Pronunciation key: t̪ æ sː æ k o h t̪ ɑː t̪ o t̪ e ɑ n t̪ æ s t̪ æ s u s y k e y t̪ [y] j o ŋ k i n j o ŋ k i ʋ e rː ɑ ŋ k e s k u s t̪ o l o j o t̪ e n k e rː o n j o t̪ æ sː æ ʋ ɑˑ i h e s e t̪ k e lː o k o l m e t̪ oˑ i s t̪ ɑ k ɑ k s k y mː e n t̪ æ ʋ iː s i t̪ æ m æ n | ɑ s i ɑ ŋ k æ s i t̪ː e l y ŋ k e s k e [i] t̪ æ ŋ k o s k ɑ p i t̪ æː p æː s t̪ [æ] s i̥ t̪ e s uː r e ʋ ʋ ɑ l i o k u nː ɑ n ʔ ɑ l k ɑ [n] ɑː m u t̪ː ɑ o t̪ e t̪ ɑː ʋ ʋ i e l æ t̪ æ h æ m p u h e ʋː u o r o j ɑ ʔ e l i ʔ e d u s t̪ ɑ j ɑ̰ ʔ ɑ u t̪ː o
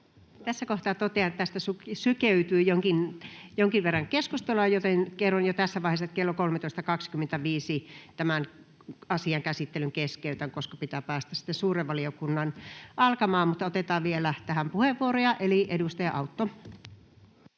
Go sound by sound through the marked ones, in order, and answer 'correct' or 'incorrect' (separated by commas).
incorrect, incorrect, correct, incorrect